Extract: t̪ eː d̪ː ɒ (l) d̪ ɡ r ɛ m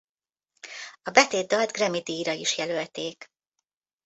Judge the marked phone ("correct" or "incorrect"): correct